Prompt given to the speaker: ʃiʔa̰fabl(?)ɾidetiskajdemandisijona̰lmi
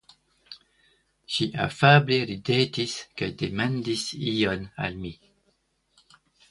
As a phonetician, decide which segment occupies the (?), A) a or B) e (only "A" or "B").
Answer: B